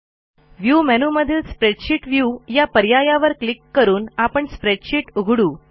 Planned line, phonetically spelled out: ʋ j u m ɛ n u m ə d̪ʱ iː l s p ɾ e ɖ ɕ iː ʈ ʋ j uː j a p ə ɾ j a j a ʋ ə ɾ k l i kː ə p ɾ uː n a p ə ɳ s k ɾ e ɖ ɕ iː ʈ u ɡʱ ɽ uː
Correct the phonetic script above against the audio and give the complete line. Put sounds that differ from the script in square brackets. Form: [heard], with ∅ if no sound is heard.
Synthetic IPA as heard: ʋ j u m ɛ n u m ə d̪ʱ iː l s p ɾ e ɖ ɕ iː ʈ ʋ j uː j a p ə ɾ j a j a ʋ ə ɾ k l i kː ə [∅] ɾ uː n a p ə ɳ s [p] ɾ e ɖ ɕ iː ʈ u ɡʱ ɽ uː